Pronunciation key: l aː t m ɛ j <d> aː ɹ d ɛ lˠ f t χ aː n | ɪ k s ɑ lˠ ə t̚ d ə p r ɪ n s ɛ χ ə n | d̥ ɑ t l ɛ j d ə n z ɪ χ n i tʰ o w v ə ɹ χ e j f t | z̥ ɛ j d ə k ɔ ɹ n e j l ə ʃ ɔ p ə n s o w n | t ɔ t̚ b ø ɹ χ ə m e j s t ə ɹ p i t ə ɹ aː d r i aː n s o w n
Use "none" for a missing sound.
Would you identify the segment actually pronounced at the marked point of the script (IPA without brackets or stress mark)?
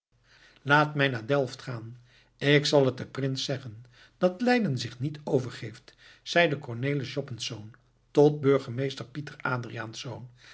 n